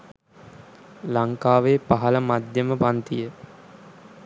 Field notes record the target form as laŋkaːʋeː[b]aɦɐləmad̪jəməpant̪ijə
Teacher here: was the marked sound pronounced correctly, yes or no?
no